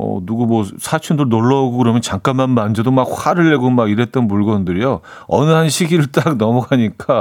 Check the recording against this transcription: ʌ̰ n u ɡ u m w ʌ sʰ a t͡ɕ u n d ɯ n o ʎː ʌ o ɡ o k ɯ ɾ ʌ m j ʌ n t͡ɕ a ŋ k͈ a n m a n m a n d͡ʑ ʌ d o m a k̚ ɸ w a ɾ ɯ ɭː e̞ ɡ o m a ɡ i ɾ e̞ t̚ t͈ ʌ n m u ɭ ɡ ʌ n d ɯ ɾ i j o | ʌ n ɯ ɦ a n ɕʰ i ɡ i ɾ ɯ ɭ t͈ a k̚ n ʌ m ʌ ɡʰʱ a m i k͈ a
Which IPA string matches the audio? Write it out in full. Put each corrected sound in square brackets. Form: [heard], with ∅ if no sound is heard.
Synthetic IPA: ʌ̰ n u ɡ u m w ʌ sʰ a [t͡ɕʰ] u n d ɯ n o [ɭː] ʌ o ɡ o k ɯ ɾ ʌ m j ʌ n t͡ɕ a ŋ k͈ a n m a n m a n d͡ʑ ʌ d o m a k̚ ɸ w a ɾ ɯ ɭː e̞ ɡ o m a ɡ i ɾ e̞ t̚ t͈ ʌ n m u ɭ ɡ ʌ n d ɯ ɾ i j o | ʌ n ɯ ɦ a n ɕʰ i ɡ i ɾ ɯ ɭ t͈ a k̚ n ʌ m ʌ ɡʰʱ a [ɲ] i k͈ a